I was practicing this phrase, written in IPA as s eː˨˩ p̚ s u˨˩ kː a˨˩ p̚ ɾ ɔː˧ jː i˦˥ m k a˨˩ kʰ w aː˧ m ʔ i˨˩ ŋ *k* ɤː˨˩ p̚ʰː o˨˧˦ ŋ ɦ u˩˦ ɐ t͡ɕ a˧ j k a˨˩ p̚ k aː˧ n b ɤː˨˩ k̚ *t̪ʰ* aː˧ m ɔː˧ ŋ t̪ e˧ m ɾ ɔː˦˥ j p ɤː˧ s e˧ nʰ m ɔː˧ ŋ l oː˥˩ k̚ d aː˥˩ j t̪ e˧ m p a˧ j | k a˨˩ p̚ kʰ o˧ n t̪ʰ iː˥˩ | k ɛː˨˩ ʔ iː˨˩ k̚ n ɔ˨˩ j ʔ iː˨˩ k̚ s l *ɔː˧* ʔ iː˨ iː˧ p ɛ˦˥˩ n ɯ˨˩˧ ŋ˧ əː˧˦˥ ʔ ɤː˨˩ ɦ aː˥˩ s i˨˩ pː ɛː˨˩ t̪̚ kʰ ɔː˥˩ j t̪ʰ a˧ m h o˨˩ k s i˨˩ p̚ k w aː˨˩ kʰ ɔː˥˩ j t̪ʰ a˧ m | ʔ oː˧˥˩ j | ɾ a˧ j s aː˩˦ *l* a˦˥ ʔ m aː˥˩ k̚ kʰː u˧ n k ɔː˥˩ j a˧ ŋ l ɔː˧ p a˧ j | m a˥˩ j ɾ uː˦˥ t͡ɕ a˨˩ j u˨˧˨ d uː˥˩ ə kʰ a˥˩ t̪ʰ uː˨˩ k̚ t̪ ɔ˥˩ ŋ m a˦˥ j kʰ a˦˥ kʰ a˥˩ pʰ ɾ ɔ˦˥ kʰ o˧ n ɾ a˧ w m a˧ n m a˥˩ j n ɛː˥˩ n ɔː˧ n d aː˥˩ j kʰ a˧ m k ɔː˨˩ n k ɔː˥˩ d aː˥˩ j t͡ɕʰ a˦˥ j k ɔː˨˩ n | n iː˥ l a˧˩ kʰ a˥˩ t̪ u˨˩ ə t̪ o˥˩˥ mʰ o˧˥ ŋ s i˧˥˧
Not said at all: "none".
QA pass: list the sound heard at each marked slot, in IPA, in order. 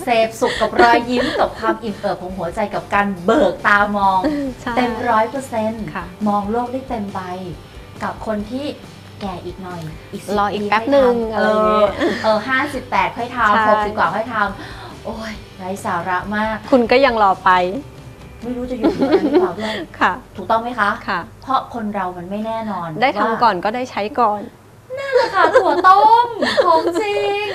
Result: ʔ, t̪, ɔː˧, ɾ

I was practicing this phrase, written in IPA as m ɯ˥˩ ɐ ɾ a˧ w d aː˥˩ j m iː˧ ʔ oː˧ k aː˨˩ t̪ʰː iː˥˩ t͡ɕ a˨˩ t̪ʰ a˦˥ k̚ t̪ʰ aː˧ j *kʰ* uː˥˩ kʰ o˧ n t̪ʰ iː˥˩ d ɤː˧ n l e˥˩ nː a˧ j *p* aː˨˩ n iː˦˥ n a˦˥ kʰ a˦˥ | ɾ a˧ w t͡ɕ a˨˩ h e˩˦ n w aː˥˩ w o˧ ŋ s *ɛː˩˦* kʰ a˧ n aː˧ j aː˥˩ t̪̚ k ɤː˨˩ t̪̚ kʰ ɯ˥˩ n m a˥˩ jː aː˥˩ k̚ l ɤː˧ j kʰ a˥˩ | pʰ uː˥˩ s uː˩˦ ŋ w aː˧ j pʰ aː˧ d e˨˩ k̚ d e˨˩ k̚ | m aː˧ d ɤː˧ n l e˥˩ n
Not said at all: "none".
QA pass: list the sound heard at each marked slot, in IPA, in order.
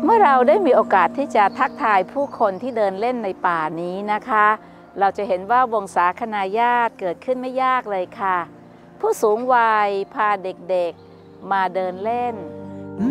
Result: pʰ, p, aː˩˦

